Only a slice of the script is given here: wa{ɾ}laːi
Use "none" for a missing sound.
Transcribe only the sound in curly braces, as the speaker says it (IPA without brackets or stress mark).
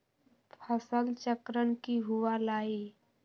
none